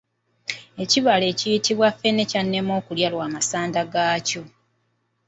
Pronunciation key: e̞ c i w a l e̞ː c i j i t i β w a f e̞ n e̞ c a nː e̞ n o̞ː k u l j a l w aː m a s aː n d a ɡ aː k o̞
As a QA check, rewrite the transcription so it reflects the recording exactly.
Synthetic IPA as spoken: e̞ c i β a l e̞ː c i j i t i β w a f e̞ n e̞ c a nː e̞ m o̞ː k u l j a l w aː m a s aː n d a ɡ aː c o̞